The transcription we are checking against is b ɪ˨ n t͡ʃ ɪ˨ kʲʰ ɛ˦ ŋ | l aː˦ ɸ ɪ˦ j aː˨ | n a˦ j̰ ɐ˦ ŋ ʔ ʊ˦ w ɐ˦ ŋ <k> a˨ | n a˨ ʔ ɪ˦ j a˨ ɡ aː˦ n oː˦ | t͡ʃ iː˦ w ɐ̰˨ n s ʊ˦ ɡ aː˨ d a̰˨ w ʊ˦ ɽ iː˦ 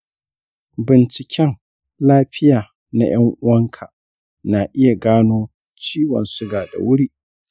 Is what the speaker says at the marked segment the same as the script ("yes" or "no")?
no